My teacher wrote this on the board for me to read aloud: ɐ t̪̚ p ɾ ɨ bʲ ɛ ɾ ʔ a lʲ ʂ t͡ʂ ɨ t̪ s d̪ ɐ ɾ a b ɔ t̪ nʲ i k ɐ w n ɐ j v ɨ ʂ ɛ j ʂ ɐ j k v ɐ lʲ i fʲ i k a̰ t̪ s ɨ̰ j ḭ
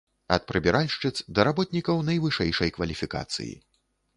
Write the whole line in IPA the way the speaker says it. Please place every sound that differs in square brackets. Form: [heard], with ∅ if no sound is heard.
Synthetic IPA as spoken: ɐ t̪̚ p ɾ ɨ bʲ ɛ ɾ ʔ a lʲ ʂ t͡ʂ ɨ t̪ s d̪ ɐ ɾ a b ɔ t̪ nʲ i k ɐ w n ɐ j v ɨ ʂ ɛ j ʂ ɐ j k v ɐ lʲ i fʲ i k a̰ t̪ s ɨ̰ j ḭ